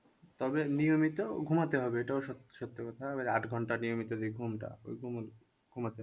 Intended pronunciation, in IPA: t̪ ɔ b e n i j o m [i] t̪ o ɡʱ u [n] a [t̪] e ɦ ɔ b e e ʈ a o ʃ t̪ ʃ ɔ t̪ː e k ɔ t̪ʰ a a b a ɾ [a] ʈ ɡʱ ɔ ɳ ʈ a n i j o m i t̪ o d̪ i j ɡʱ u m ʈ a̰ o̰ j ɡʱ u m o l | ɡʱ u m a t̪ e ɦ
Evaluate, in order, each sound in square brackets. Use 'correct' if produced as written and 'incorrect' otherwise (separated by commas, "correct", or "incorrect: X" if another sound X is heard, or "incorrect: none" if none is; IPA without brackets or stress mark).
correct, incorrect: m, correct, correct